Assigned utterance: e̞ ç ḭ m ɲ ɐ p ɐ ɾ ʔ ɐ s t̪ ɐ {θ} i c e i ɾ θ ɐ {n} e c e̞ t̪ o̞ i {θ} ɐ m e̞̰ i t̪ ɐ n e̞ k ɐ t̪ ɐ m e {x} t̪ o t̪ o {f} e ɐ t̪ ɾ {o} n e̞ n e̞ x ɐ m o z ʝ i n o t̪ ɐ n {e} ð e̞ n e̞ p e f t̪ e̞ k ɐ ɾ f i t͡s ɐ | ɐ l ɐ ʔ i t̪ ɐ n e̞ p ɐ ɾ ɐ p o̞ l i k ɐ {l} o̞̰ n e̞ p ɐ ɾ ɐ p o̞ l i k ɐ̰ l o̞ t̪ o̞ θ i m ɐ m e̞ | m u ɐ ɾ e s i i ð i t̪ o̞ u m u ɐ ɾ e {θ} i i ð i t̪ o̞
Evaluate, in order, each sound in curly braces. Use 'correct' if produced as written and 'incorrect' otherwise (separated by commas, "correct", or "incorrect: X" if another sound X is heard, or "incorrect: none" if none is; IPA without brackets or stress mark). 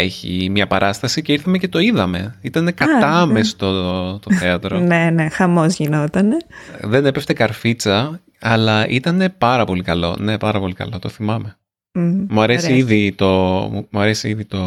incorrect: s, incorrect: m, incorrect: ð, incorrect: s, incorrect: θ, correct, correct, correct, incorrect: s